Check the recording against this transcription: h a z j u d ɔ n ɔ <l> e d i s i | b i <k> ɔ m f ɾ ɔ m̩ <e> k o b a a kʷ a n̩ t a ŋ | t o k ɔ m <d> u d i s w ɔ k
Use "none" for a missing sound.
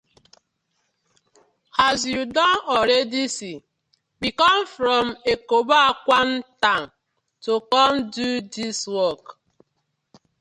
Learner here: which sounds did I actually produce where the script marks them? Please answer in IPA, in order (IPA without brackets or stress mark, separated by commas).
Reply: ɾ, k, e, d